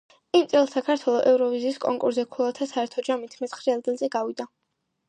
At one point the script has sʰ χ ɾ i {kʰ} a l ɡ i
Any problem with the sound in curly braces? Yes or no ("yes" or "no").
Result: yes